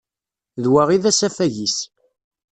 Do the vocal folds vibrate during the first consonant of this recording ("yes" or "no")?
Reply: yes